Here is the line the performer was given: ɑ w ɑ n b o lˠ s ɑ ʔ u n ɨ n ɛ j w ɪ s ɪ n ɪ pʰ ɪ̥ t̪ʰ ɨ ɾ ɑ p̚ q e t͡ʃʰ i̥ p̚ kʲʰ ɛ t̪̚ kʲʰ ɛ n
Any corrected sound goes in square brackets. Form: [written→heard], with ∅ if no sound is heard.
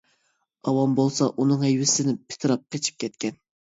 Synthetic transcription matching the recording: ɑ w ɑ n b o lˠ s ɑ ʔ u n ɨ [n→ŋ] ɛ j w ɪ s ɪ n ɪ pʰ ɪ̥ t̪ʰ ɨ ɾ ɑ p̚ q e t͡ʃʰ i̥ p̚ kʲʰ ɛ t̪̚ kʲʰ ɛ n